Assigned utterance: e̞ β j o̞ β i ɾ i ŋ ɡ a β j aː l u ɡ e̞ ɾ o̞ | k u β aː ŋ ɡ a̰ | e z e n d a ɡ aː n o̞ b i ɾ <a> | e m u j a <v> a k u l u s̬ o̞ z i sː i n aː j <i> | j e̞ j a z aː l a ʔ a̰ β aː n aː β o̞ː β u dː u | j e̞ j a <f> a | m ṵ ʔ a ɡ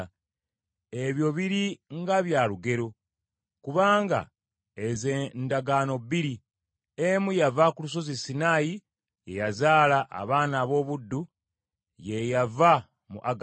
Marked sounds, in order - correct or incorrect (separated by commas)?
incorrect, correct, correct, incorrect